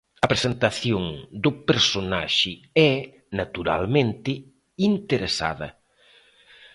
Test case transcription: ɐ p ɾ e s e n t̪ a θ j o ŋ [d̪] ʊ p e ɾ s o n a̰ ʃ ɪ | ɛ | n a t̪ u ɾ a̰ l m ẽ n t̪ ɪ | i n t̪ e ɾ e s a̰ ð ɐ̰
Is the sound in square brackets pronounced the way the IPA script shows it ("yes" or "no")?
yes